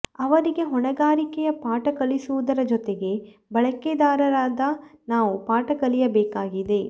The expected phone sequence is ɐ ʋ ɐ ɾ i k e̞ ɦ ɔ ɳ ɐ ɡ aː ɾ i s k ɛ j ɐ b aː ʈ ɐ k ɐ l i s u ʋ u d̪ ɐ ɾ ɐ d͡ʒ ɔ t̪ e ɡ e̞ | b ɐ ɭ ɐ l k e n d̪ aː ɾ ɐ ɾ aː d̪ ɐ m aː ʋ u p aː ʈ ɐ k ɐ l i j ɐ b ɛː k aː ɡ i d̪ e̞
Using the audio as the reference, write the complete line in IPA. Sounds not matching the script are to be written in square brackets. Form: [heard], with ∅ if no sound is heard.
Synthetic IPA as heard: ɐ ʋ ɐ ɾ i [ɡ] e̞ ɦ ɔ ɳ ɐ ɡ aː ɾ i [∅] k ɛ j ɐ [p] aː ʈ ɐ k ɐ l i s u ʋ u d̪ ɐ ɾ ɐ d͡ʒ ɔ t̪ e ɡ e̞ | b ɐ ɭ ɐ [∅] k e [∅] d̪ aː ɾ ɐ ɾ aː d̪ ɐ [n] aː ʋ u p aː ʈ ɐ k ɐ l i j ɐ b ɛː k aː ɡ i d̪ e̞